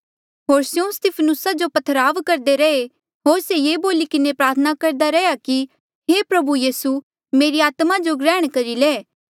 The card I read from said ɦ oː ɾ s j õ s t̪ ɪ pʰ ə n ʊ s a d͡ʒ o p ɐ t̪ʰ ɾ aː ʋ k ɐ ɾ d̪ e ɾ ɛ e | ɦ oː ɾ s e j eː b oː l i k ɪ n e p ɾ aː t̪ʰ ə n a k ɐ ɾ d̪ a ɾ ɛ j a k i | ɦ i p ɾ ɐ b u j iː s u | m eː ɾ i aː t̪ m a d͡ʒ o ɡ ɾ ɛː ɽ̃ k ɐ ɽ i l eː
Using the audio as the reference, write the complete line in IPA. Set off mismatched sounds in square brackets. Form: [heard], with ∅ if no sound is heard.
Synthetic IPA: ɦ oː ɾ s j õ s t̪ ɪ pʰ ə n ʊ s a d͡ʒ o p ɐ t̪ʰ ɾ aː ʋ k ɐ ɾ d̪ e ɾ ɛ e | ɦ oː ɾ s e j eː b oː l i k ɪ n e p ɾ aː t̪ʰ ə n a k ɐ ɾ d̪ a ɾ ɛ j a k i | ɦ [e] p ɾ ɐ b u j iː s u | m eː ɾ i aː t̪ m a d͡ʒ o ɡ ɾ ɛː ɽ̃ k ɐ [ɾ] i l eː